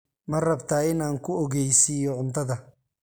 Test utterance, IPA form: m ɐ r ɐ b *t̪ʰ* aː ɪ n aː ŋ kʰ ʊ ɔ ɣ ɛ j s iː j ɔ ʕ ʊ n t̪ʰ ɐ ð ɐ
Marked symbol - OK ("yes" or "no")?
yes